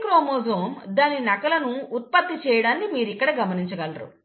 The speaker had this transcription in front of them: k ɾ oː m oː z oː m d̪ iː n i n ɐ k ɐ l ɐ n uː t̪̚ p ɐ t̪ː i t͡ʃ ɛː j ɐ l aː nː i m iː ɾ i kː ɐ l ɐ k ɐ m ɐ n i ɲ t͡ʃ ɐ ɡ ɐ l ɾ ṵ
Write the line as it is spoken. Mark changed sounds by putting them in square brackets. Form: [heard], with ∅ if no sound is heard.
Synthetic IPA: k ɾ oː m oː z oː m d̪ [aː] n i n ɐ k ɐ l ɐ n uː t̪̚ p ɐ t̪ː i t͡ʃ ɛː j ɐ [ɽ] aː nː i m iː ɾ i kː ɐ [ɽ] ɐ [ɡ] ɐ m ɐ n i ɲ t͡ʃ ɐ ɡ ɐ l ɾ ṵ

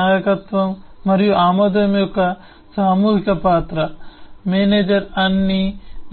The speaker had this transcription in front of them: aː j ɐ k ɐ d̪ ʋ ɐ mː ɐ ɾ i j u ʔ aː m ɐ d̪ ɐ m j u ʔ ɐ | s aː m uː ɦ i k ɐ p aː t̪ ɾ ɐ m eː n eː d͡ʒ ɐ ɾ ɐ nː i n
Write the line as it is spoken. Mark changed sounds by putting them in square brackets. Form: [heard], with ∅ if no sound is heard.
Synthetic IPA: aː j ɐ k ɐ [t̪] ʋ ɐ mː ɐ ɾ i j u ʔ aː m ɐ d̪ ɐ m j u [k] ɐ | s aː m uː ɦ i k ɐ p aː t̪ ɾ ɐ m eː n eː d͡ʒ ɐ ɾ ɐ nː i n

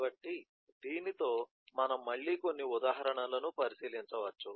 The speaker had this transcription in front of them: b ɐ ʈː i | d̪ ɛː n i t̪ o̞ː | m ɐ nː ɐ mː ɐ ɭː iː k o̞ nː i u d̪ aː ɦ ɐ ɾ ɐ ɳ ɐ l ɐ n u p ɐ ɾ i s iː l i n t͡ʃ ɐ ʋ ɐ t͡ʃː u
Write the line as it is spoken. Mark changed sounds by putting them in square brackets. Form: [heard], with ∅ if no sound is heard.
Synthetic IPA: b ɐ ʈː i | d̪ [iː] n i t̪ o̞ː | m ɐ [n] ɐ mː ɐ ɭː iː k o̞ nː i u d̪ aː ɦ ɐ ɾ ɐ ɳ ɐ l ɐ n u p ɐ ɾ i s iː l i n t͡ʃ ɐ ʋ ɐ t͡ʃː u

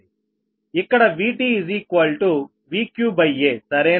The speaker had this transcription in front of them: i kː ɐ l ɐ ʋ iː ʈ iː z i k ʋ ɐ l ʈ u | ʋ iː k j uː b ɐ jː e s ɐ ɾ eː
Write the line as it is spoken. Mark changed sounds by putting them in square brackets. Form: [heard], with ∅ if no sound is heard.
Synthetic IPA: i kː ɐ [ɽ] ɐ ʋ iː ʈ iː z i k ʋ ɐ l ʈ u | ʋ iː k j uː b ɐ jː e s ɐ ɾ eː

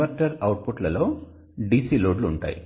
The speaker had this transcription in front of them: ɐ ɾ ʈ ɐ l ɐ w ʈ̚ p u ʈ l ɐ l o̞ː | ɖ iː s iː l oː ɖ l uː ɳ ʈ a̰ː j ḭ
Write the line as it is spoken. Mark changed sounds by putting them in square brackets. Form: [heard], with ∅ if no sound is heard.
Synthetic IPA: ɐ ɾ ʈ ɐ [ɾ] ɐ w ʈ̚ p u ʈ l ɐ l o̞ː | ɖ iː s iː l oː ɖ l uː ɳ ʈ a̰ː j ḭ

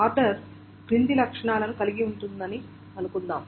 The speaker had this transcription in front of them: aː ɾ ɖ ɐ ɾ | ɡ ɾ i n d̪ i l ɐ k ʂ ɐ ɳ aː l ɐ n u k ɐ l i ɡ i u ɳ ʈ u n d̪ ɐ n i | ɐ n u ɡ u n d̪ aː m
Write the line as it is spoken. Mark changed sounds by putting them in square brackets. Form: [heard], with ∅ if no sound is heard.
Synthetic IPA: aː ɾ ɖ ɐ ɾ | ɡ ɾ i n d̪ i l ɐ k ʂ ɐ ɳ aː l ɐ n u k ɐ l i ɡ i u ɳ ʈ u n d̪ ɐ n i | ɐ n u [k] u n d̪ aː m

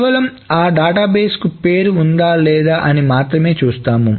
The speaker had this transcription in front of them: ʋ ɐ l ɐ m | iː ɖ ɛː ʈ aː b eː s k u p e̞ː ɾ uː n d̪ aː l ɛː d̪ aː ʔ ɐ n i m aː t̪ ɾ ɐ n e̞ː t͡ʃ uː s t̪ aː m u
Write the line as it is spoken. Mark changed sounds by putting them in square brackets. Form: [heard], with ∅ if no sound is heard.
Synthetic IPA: ʋ ɐ l ɐ m | [aː] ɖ [aː] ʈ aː b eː s k u p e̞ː ɾ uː n d̪ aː l ɛː d̪ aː ʔ ɐ n i m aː t̪ ɾ ɐ [m] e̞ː t͡ʃ uː s t̪ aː m u

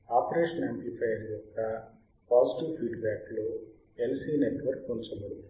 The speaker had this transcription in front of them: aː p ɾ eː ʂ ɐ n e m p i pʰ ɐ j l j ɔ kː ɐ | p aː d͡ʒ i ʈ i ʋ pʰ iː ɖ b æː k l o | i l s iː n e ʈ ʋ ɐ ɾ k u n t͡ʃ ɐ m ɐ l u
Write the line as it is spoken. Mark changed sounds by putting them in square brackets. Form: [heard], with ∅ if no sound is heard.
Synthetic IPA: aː p ɾ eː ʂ ɐ n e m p i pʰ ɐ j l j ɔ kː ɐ | p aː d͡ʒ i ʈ i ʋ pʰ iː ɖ b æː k l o | [e] l s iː n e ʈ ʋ ɐ ɾ k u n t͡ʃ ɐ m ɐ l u

